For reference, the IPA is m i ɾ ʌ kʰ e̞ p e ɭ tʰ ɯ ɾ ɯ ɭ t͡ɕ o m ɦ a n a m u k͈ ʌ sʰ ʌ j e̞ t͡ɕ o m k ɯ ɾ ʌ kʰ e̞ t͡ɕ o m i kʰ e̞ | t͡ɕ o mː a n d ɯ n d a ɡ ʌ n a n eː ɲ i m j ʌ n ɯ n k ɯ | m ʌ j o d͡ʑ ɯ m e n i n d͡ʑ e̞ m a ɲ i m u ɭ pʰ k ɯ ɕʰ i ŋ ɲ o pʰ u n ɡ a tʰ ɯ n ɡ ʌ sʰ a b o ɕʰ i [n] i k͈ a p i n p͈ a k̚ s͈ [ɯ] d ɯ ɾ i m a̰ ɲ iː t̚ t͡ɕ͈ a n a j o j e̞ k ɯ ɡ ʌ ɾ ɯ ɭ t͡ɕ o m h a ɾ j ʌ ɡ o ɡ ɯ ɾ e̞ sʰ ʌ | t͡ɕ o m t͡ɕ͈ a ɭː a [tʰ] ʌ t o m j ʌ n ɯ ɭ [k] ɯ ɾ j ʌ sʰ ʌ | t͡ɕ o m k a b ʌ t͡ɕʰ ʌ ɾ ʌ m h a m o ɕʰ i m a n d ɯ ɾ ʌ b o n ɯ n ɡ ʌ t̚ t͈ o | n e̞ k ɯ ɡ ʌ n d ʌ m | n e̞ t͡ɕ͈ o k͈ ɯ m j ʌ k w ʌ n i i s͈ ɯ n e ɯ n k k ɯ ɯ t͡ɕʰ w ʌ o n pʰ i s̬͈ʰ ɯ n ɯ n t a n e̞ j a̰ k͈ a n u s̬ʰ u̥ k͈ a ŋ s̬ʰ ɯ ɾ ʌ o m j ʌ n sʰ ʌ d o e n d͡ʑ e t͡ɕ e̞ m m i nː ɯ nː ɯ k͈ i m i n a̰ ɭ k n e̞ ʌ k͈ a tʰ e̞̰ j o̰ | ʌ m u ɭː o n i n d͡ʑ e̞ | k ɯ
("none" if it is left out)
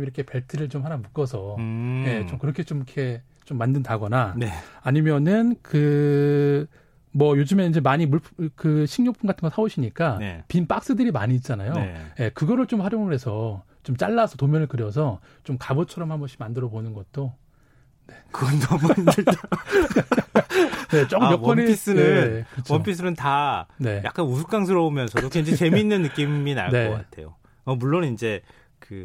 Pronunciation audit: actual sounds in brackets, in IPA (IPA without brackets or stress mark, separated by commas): ɲ, ɯ, sʰ, k